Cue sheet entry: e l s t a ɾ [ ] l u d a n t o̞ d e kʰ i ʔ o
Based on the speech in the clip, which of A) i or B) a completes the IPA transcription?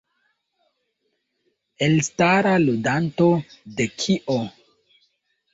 B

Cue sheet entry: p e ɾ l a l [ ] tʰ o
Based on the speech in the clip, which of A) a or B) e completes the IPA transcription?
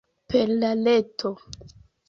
B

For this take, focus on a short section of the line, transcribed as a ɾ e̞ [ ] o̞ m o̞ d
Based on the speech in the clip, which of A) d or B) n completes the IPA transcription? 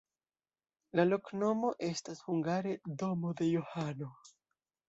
A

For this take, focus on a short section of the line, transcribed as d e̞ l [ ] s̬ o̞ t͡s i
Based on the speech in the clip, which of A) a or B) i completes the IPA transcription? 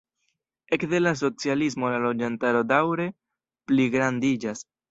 A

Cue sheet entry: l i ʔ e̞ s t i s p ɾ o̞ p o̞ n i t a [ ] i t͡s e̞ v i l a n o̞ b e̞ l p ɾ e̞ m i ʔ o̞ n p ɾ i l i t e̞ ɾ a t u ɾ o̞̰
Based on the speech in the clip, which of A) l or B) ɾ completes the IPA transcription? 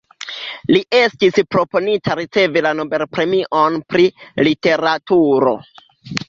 B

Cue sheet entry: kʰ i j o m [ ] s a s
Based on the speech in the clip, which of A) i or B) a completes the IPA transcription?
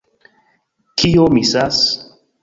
A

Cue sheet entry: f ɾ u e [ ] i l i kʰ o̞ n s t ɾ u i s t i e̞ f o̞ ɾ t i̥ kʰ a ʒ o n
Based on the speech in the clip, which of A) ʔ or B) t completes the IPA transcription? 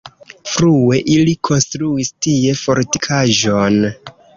A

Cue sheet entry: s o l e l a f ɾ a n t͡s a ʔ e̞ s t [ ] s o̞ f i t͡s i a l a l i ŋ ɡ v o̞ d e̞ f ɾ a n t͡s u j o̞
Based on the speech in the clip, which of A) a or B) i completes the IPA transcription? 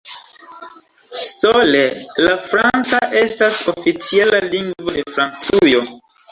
A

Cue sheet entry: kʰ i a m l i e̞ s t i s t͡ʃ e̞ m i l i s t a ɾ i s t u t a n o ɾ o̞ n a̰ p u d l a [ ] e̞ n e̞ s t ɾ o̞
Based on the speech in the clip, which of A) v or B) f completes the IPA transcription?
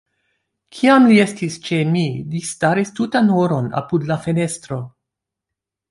B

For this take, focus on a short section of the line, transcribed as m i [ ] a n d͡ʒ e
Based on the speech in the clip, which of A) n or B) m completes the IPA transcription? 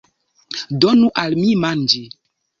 B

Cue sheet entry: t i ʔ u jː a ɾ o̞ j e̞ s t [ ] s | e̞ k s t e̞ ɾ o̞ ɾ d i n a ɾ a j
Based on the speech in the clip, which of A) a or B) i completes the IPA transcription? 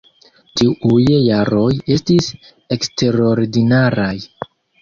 B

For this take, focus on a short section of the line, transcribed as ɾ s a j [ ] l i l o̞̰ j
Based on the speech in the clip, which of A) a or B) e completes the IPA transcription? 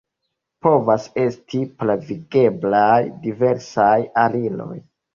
A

